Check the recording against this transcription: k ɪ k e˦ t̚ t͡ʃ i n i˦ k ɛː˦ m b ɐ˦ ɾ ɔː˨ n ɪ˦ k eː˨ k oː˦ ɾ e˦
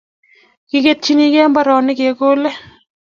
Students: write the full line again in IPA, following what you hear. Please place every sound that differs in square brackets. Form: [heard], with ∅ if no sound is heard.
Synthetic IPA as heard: k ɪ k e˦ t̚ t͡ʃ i n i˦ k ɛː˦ m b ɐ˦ ɾ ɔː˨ n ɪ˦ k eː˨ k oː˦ [l] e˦